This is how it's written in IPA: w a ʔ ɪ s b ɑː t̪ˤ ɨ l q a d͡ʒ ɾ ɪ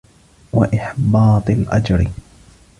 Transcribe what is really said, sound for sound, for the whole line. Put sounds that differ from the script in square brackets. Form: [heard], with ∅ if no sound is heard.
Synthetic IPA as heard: w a ʔ ɪ [ħ] b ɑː t̪ˤ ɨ l [ʔ] a d͡ʒ ɾ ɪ